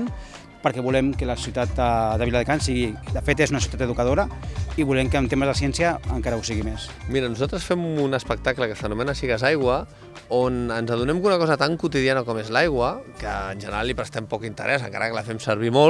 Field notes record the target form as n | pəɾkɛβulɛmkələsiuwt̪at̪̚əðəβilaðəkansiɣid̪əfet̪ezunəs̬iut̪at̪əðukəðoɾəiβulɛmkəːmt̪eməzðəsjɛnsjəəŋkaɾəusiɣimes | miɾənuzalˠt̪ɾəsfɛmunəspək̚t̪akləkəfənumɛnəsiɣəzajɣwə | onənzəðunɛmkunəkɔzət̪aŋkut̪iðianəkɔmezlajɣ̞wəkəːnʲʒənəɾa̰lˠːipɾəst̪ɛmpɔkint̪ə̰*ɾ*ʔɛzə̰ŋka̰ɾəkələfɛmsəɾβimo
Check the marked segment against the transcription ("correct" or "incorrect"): correct